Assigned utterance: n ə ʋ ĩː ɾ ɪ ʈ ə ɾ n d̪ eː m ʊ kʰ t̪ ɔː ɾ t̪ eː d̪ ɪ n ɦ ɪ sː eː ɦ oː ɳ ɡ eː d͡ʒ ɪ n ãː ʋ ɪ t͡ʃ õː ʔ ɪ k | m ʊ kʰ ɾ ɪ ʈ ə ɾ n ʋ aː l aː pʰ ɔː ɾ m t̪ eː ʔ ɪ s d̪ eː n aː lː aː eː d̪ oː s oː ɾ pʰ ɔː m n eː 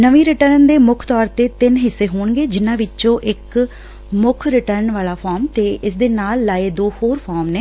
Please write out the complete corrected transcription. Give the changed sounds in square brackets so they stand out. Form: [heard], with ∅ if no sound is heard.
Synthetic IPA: n ə ʋ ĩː ɾ ɪ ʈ ə ɾ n d̪ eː m ʊ kʰ t̪ ɔː ɾ t̪ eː [t̪] ɪ n ɦ ɪ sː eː ɦ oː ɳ ɡ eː d͡ʒ ɪ n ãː ʋ ɪ t͡ʃ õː ʔ ɪ k | m ʊ kʰ ɾ ɪ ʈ ə ɾ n ʋ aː l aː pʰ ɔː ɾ m t̪ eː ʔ ɪ s d̪ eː n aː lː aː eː d̪ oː [h] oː ɾ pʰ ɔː m n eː